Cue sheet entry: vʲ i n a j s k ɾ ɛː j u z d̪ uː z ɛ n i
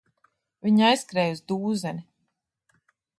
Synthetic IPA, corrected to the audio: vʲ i ɲ a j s k ɾ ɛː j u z d̪ uː z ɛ n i